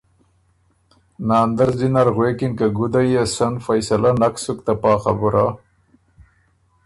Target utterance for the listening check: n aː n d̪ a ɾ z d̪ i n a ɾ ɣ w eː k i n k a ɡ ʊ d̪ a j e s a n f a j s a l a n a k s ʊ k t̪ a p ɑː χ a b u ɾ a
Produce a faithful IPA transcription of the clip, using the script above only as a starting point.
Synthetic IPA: n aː n d̪ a ɾ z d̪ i n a ɾ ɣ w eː k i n k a ɡ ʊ d̪ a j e s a n f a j s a l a n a k s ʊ k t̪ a p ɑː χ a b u ɾ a